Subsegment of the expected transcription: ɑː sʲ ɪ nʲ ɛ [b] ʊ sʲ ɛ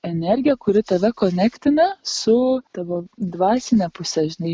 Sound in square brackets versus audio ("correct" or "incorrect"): incorrect